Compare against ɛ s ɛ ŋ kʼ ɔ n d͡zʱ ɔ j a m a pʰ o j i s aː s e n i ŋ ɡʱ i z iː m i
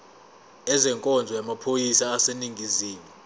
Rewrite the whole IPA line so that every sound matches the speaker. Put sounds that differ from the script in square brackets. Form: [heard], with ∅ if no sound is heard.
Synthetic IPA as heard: ɛ [z] ɛ ŋ kʼ ɔ n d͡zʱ ɔ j a m a pʰ o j i s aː s e n i ŋ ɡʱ i z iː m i

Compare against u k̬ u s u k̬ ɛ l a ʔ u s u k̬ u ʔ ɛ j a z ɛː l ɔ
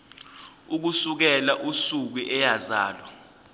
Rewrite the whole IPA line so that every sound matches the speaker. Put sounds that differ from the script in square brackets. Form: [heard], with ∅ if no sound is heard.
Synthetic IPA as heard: u k̬ u s u k̬ ɛ l a ʔ u s u k̬ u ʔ ɛ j a z [aː] l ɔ

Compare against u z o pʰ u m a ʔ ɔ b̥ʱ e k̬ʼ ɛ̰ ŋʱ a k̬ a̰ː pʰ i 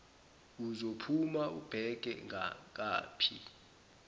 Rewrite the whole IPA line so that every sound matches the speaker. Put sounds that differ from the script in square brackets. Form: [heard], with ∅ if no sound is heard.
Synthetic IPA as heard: u z o pʰ u m a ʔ [u] b̥ʱ [ɛ] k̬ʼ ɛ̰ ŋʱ a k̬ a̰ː pʰ i

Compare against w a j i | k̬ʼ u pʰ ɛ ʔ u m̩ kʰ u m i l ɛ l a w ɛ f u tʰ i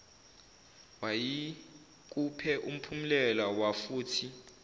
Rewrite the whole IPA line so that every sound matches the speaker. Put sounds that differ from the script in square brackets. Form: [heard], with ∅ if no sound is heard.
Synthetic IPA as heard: w a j i | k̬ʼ u pʰ ɛ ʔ u m̩ [pʰ] u m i l ɛ l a w [a] f [uː] tʰ i

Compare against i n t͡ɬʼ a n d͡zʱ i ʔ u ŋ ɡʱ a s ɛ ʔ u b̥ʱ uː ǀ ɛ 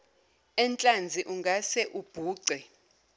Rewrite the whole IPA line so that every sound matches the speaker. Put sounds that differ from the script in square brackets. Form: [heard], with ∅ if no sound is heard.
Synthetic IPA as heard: [ɛ] n t͡ɬʼ a n d͡zʱ i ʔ u ŋ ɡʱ a s ɛ ʔ u b̥ʱ uː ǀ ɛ

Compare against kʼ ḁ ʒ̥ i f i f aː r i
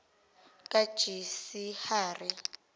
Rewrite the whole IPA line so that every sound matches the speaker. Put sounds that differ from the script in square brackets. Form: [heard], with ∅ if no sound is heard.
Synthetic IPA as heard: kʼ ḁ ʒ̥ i [s] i [h] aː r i

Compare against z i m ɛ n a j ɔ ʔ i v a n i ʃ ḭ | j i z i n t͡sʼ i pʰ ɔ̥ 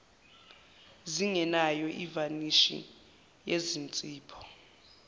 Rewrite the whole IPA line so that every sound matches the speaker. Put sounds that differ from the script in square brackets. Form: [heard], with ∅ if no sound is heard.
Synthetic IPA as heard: z i [ŋ] ɛ n a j ɔ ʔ i v a n i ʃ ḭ | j [e] z i n t͡sʼ [iː] pʰ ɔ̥

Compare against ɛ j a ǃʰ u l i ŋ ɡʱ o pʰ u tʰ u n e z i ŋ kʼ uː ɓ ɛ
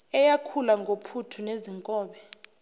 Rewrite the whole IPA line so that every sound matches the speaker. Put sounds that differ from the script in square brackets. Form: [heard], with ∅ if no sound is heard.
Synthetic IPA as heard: ɛ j a [kʰ] u l [a] ŋ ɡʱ o pʰ u tʰ u n e z i ŋ kʼ [ɔː] ɓ ɛ

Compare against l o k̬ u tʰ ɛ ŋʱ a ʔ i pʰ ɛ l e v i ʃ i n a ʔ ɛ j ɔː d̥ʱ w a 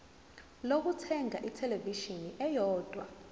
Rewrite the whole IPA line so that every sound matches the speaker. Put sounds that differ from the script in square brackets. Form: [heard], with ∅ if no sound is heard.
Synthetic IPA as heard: l o k̬ u tʰ ɛ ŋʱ a ʔ i [tʰ] ɛ l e v i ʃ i n [i] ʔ ɛ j ɔː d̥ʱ w a

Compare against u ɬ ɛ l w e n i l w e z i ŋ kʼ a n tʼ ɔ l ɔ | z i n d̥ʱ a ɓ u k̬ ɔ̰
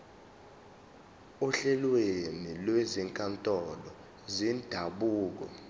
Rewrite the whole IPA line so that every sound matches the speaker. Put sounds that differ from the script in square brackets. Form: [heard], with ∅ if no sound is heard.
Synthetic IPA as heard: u ɬ ɛ l w e n i l w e z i ŋ kʼ a n tʼ ɔ l ɔ | z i n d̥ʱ a ɓ [uː] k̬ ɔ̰

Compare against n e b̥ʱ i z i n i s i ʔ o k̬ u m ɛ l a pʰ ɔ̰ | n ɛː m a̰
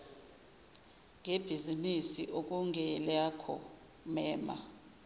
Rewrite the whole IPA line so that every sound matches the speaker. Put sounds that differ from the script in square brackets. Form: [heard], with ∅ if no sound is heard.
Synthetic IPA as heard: [ŋ] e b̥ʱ i z i n i s i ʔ o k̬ u [ŋ] ɛ l a [kʰ] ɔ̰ | [m] ɛː m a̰

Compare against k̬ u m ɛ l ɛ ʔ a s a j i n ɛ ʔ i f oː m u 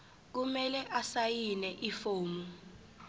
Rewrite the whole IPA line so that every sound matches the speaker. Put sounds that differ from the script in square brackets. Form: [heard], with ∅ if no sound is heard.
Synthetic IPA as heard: k̬ u m ɛ l ɛ ʔ a s a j i n ɛ ʔ i f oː m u

